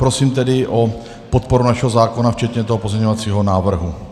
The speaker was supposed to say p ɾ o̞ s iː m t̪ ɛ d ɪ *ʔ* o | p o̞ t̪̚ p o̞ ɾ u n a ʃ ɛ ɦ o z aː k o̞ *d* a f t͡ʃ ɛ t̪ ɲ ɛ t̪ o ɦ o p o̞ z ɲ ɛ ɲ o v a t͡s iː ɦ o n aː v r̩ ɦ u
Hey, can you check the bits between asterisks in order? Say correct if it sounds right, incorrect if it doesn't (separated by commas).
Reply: correct, incorrect